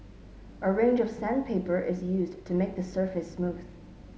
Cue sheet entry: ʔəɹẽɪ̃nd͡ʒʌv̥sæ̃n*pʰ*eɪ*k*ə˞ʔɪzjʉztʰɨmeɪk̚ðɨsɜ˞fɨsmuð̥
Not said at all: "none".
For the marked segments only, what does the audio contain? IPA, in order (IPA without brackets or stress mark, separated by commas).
pʰ, p